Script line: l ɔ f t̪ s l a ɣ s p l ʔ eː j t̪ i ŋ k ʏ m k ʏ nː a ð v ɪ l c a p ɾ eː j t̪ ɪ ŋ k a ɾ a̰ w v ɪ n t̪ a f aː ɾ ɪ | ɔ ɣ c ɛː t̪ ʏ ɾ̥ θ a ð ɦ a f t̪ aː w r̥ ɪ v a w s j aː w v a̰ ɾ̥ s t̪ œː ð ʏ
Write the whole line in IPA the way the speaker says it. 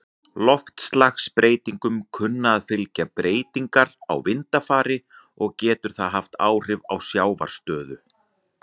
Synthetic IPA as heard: l ɔ f t̪ s l a x s p ɾ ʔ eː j t̪ i ŋ k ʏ m kʰ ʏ nː a ð f ɪ l c a p ɾ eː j t̪ i ŋ k a ɾ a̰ w v ɪ n t̪ a f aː ɾ ɪ | ɔ ɣ c ɛː t̪ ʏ ɾ̥ θ a ð ɦ a f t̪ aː w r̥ ɪ v a w s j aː w v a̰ ɾ̥ s t̪ œː ð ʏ